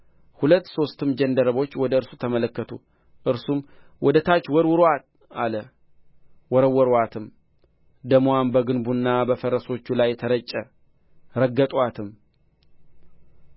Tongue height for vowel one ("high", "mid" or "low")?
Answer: high